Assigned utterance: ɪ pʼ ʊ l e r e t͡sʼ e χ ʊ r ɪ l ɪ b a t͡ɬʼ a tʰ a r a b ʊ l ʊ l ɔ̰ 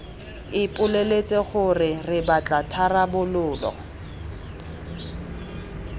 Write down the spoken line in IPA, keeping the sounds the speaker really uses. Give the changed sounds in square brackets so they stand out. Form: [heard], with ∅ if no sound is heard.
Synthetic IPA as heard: ɪ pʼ ʊ l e [l] e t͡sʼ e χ ʊ r ɪ [r] ɪ b a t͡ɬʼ a tʰ a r a b ʊ l [ʊː] l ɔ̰